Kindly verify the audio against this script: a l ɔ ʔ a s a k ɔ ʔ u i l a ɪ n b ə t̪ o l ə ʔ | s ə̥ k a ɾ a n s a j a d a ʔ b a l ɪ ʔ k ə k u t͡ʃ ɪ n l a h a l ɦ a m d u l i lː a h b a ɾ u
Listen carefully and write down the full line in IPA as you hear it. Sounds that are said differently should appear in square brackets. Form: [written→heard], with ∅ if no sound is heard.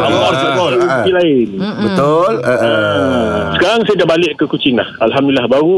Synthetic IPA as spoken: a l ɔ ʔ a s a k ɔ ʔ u i l a ɪ n b ə t̪ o l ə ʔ | s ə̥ k a ɾ a [n→ŋ] s a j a d a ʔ b a l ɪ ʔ k ə k u t͡ʃ ɪ [n→ŋ] l a h a l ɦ a m d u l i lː a h b a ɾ u